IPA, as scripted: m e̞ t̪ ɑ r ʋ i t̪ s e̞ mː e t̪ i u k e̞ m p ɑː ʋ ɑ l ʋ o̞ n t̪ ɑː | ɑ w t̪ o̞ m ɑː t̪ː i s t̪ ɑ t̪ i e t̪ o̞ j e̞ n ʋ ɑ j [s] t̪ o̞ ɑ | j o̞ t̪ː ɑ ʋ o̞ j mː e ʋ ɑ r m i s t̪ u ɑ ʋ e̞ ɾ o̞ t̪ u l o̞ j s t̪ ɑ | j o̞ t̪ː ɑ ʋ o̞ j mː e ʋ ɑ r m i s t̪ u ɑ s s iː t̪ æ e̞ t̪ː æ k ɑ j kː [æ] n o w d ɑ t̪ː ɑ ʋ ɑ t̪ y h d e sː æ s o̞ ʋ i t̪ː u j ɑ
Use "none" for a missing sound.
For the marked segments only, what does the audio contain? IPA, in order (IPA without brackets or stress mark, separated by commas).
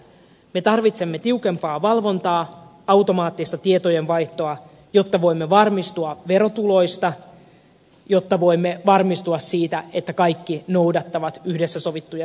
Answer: h, i